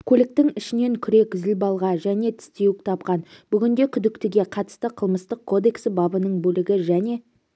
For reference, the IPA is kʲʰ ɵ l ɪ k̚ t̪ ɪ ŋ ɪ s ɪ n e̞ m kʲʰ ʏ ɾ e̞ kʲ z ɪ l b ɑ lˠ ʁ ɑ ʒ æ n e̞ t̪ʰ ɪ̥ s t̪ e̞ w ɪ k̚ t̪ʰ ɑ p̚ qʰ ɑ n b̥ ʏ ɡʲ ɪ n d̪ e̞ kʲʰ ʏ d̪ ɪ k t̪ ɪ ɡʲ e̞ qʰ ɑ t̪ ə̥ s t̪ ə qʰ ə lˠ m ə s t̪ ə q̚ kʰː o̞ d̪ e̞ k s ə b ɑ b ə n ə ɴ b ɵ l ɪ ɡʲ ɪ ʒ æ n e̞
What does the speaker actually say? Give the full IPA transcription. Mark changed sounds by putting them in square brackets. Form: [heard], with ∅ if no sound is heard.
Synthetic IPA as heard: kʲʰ ɵ l ɪ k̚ t̪ ɪ ŋ ɪ [ʃ] ɪ n e̞ [ŋ] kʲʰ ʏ ɾ e̞ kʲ z ɪ l b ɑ lˠ ʁ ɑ ʒ æ n e̞ t̪ʰ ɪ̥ s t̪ e̞ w ɪ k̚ t̪ʰ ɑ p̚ [q] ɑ n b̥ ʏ ɡʲ ɪ n d̪ e̞ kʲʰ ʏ d̪ ɪ k t̪ ɪ ɡʲ e̞ qʰ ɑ t̪ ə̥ s t̪ ə qʰ ə lˠ m ə s t̪ ə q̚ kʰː o̞ d̪ e̞ k s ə b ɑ b ə n ə ɴ b ɵ l ɪ ɡʲ ɪ ʒ æ n e̞